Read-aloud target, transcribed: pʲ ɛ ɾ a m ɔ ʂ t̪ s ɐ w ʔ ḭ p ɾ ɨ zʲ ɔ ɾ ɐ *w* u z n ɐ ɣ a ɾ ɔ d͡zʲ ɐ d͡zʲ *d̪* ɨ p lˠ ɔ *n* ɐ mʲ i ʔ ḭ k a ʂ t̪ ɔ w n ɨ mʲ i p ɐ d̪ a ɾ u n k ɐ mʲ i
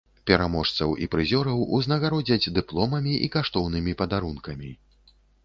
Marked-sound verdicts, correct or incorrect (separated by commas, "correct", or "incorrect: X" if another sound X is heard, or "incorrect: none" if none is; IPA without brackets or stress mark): correct, correct, incorrect: m